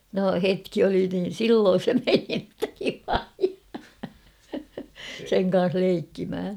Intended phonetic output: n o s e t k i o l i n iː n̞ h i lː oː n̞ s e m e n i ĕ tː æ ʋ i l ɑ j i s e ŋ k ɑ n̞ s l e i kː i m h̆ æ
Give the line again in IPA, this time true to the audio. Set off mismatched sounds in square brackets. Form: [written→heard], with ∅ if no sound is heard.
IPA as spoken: n o [s→h] e t k i o l i n iː n̞ [h→s] i lː oː n̞ s e m e n i ĕ tː æ ʋ i l ɑ j i s e ŋ k ɑ n̞ s l e i kː i m h̆ æ